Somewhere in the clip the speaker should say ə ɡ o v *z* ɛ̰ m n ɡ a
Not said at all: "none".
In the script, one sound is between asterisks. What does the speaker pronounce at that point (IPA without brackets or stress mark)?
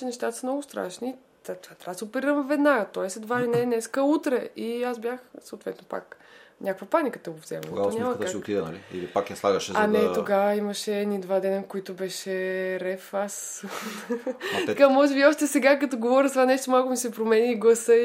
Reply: z